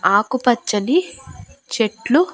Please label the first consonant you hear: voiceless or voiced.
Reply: voiceless